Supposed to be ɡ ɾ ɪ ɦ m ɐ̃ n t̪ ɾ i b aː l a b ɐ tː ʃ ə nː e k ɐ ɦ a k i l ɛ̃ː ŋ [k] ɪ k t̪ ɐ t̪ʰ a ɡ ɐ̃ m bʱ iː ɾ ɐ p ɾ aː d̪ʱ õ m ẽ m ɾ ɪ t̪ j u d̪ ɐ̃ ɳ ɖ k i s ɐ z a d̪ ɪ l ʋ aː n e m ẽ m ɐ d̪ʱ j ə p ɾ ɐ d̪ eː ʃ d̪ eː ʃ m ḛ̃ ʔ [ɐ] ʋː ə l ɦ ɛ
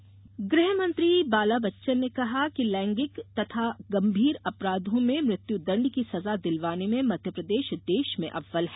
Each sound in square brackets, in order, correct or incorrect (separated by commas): incorrect, correct